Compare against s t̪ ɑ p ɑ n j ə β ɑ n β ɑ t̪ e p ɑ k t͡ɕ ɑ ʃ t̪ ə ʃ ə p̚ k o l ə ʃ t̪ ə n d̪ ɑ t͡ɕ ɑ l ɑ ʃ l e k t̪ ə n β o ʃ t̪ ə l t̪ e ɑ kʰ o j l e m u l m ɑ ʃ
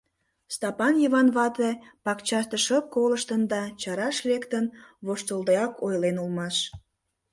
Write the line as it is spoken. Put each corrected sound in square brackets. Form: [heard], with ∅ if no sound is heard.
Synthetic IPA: s t̪ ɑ p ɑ n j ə β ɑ n β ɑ t̪ e p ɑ k t͡ɕ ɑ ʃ t̪ ə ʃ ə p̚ k o l ə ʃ t̪ ə n d̪ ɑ t͡ɕ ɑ [ɾ] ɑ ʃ l e k t̪ ə n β o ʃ t̪ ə l [d̪] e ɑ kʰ o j l e [n] u l m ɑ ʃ